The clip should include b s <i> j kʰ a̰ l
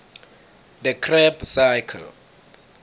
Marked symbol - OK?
no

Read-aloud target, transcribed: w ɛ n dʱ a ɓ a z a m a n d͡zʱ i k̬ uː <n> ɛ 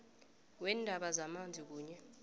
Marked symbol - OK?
no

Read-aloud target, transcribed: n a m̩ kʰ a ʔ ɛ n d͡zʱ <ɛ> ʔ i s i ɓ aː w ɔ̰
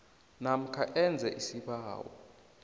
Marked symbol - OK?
yes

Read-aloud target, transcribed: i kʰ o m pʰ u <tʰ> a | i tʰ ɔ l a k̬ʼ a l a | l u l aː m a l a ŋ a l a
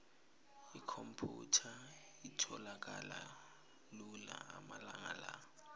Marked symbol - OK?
yes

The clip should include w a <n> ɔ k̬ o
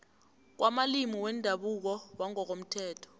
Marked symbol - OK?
no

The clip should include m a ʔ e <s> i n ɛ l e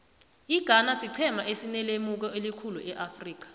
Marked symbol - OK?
yes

